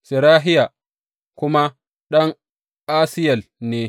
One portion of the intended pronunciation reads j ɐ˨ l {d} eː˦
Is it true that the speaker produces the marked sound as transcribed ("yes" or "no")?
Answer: no